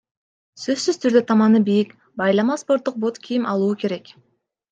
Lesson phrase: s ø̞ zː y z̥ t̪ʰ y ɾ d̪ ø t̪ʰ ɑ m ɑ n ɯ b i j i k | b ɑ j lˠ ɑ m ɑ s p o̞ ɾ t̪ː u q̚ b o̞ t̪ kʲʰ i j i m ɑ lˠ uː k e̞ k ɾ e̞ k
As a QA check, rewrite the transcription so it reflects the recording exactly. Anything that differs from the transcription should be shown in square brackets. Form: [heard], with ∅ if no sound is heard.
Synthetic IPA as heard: s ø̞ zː y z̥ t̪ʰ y ɾ d̪ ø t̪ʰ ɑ m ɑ n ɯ b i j i k | b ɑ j lˠ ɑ m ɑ s p o̞ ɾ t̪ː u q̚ b o̞ t̪ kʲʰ i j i m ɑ lˠ uː k e̞ [∅] ɾ e̞ k